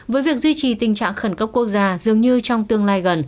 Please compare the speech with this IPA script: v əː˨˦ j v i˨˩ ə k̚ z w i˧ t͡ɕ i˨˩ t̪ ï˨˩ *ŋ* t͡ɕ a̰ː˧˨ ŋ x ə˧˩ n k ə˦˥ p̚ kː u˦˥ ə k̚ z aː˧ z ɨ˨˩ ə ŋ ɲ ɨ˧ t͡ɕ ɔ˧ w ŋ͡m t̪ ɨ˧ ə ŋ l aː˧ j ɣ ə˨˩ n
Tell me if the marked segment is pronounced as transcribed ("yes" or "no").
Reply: yes